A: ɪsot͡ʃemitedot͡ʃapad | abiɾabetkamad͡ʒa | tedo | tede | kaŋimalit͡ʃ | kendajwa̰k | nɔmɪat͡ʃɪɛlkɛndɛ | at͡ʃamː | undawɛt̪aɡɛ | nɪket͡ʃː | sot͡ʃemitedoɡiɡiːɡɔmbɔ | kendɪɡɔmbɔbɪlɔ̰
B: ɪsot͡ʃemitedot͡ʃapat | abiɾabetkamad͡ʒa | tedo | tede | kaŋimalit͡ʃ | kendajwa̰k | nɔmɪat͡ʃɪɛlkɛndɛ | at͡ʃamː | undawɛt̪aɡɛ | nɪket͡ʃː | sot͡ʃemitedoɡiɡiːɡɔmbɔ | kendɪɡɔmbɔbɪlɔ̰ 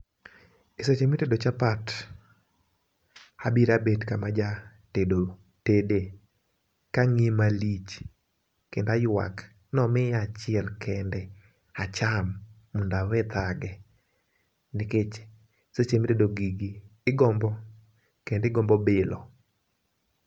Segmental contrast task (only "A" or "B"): B